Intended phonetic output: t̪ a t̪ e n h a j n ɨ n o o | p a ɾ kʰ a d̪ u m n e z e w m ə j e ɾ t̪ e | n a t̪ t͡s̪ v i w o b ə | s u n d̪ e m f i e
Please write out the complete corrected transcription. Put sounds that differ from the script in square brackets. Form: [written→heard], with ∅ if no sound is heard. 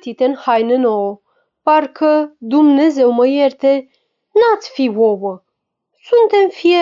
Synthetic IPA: t̪ [a→i] t̪ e n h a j n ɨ n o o | p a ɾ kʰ [a→ə] d̪ u m n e z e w m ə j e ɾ t̪ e | n a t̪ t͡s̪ [v→f] i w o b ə | s u n [d̪→t̪] e m f i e